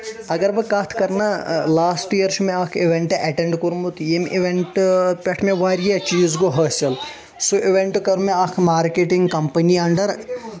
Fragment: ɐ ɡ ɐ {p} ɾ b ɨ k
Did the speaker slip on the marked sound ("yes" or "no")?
yes